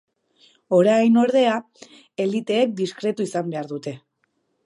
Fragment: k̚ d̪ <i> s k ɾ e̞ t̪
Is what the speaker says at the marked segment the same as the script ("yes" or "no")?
yes